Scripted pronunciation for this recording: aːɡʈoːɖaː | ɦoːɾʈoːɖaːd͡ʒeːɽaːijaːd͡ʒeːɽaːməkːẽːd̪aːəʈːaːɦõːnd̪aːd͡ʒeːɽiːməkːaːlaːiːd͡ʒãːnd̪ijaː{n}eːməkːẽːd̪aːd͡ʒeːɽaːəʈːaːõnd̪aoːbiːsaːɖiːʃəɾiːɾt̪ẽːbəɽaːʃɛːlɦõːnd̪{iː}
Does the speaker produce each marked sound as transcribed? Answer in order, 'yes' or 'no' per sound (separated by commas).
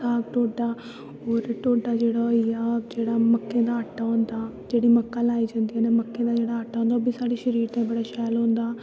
yes, no